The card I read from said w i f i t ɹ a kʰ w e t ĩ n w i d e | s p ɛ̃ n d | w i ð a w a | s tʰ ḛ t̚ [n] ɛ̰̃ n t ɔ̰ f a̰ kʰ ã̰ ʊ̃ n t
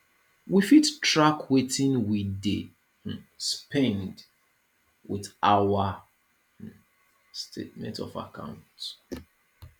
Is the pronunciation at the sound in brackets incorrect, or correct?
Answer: incorrect